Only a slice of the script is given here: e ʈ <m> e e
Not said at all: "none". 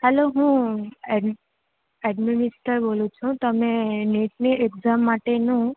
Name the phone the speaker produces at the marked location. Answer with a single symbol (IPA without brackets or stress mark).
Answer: n